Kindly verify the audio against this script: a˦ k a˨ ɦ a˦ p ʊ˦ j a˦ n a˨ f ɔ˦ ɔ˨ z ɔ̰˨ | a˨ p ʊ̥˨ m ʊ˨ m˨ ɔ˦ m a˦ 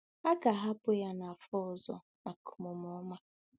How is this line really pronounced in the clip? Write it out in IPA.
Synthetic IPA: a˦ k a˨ ɦ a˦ p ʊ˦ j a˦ n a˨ f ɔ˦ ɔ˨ z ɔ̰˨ | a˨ k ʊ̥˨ m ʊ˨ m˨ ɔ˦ m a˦